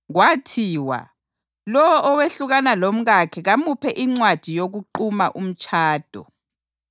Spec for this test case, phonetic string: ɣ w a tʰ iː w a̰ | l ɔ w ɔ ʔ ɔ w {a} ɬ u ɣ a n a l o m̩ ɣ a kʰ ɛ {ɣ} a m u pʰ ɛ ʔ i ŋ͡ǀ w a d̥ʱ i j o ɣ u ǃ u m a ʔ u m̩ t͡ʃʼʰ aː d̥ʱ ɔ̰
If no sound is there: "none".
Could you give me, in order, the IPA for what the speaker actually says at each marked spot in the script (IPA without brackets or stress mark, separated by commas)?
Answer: e, ɣ